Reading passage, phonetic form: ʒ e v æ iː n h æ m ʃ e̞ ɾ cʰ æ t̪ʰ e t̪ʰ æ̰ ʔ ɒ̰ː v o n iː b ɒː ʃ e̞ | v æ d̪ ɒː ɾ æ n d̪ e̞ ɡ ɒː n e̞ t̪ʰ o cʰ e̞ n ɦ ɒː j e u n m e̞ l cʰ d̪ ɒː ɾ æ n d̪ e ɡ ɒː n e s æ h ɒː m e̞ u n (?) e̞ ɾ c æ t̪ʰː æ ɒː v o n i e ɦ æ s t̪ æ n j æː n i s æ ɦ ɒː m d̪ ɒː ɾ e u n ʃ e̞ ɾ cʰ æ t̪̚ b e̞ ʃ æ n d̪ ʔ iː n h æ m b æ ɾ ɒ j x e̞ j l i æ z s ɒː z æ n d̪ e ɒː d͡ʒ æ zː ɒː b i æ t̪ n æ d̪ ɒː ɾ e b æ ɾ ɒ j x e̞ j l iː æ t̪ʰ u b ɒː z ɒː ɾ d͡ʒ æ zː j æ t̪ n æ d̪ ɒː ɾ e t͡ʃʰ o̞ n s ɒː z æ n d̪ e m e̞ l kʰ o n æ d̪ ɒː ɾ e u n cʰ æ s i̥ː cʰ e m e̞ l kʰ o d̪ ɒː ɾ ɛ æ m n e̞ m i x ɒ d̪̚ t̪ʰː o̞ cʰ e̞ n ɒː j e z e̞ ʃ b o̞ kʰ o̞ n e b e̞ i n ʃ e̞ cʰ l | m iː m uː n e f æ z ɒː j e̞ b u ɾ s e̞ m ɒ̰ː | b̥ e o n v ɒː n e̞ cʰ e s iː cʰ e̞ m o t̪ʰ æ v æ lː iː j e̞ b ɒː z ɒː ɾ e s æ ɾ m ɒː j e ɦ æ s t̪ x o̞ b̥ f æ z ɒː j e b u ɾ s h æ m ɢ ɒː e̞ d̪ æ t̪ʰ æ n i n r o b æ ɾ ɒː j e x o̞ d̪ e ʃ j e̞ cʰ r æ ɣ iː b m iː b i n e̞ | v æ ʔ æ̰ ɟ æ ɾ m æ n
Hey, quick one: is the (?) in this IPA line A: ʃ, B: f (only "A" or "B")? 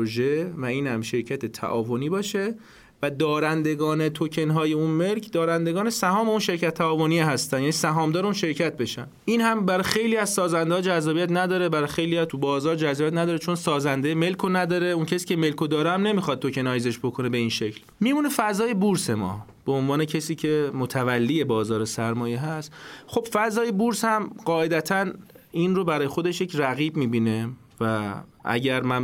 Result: A